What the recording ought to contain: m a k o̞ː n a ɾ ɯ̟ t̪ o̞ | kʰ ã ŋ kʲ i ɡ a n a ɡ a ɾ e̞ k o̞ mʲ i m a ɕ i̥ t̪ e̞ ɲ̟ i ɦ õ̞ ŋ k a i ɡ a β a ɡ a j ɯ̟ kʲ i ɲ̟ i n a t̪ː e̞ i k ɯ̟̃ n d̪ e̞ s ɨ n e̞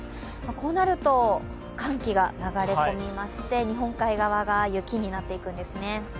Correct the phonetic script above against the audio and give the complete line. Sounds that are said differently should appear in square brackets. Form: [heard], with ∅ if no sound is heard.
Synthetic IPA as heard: m a k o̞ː n a ɾ ɯ̟ t̪ o̞ | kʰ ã ŋ kʲ i ɡ a n a ɡ a ɾ e̞ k o̞ mʲ i m a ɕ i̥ t̪ e̞ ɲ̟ i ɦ õ̞ ŋ k a i ɡ a β a ɡ a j ɯ̟ kʲ i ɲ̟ i n a t̪ː e̞ i k ɯ̟̃ n d̪ e̞ s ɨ n e̞